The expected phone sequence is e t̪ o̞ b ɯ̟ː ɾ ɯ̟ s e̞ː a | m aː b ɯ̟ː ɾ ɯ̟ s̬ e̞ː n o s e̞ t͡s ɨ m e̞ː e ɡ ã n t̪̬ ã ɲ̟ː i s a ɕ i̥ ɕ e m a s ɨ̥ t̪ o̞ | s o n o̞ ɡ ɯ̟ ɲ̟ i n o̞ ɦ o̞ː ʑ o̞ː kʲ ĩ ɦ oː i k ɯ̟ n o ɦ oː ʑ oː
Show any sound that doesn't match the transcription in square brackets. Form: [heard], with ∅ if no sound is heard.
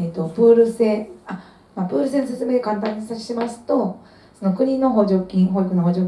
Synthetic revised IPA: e t̪ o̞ b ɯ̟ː ɾ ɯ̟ s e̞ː a | m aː b ɯ̟ː ɾ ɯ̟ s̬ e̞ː n o s e̞ t͡s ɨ m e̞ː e [k] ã n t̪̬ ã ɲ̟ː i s a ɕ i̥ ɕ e m a s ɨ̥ t̪ o̞ | s o n o̞ [k] ɯ̟ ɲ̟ i n o̞ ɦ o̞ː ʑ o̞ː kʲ ĩ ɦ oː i k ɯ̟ n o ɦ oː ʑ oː

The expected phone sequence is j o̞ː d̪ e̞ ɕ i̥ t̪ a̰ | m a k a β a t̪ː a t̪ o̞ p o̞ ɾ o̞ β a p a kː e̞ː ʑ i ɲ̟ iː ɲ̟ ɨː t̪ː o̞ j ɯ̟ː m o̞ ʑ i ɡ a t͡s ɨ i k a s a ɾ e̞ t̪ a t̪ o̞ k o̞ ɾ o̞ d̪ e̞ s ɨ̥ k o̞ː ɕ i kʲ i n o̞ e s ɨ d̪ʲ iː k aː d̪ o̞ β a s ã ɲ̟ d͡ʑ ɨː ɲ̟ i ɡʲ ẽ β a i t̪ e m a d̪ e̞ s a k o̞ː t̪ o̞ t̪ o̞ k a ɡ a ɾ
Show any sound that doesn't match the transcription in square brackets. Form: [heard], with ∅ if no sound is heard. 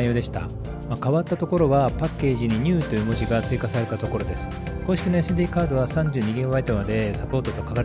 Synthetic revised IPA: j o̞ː d̪ e̞ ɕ i̥ t̪ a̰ | m a k a β a t̪ː a t̪ o̞ [k] o̞ ɾ o̞ β a p a kː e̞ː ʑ i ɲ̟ [i] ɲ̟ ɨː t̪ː o̞ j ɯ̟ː m o̞ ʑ i ɡ a t͡s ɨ i k a s a ɾ e̞ t̪ a t̪ o̞ k o̞ ɾ o̞ d̪ e̞ s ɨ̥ k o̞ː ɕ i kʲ i n o̞ e s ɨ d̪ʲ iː k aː d̪ o̞ β a s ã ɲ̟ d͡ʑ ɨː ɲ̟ i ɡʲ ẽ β a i t̪ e m a d̪ e̞ s a [p] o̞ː t̪ o̞ t̪ o̞ k a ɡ a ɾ

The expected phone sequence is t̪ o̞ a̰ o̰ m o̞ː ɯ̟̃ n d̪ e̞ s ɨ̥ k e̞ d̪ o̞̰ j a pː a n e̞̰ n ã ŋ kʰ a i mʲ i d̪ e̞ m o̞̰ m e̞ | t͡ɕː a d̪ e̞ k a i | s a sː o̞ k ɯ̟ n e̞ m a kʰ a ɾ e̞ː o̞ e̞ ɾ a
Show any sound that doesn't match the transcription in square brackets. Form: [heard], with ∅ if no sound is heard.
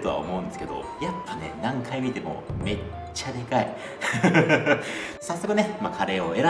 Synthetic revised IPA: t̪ o̞ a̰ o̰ m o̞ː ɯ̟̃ n d̪ e̞ s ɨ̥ k e̞ d̪ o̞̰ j a pː a n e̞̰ n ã ŋ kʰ a i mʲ i [t̪] e̞ m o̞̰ m e̞ | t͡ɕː a d̪ e̞ k a i | s a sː o̞ k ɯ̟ n e̞ m a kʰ a ɾ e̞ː o̞ e̞ ɾ a

